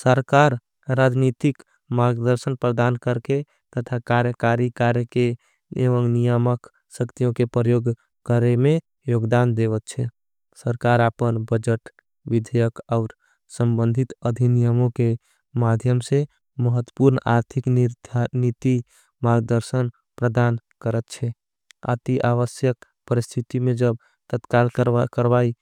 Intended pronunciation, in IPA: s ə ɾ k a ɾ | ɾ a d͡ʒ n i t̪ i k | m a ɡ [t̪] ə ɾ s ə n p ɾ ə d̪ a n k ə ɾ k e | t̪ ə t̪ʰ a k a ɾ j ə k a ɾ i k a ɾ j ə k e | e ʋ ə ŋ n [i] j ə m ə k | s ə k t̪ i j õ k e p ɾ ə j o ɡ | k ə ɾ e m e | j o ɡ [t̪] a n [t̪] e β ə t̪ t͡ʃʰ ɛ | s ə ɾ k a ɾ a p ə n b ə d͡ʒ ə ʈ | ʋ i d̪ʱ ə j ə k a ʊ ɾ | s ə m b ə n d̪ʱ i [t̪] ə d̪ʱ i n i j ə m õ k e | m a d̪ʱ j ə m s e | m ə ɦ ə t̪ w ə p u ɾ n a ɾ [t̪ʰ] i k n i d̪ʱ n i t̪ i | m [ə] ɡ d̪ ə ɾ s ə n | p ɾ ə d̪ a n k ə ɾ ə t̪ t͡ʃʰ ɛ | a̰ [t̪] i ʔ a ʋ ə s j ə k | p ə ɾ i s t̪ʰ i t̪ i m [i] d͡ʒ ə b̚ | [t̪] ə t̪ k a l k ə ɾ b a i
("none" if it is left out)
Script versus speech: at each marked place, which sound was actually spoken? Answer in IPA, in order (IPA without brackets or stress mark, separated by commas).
d̪, i, d̪, d̪, t̪, t̪ʰ, a, t̪, e, t̪